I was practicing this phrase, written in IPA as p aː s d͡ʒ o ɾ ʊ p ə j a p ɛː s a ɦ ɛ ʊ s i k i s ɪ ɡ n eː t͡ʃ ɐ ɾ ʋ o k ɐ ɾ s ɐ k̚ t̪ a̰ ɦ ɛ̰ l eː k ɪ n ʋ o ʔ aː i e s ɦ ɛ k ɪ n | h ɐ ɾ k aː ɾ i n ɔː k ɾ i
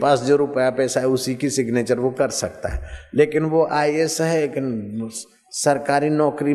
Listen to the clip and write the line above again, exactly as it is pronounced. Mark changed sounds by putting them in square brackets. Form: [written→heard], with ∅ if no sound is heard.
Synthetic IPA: p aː s d͡ʒ o ɾ ʊ p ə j a p ɛː s a ɦ ɛ ʊ s i k i s ɪ ɡ n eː t͡ʃ [ɐ→ə] ɾ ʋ o k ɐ ɾ s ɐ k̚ t̪ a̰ ɦ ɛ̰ l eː k ɪ n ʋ o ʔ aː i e s ɦ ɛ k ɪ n | [h→s] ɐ ɾ k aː ɾ i n ɔː k ɾ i